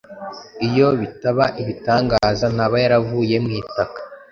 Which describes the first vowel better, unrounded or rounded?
unrounded